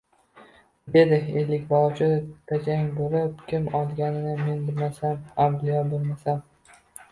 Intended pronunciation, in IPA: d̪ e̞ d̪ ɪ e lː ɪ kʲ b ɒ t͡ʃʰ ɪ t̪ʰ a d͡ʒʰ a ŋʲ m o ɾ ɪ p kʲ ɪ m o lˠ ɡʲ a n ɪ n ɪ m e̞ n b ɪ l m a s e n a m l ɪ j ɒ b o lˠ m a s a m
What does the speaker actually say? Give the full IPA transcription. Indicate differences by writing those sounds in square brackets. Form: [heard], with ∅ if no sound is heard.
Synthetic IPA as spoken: d̪ e̞ d̪ ɪ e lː ɪ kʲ b ɒ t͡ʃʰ ɪ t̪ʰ a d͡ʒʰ a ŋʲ [b] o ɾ ɪ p kʲ ɪ m [ɒ] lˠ ɡʲ a n ɪ n ɪ m e̞ n b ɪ l m a s [a] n a m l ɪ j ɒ b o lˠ m a s a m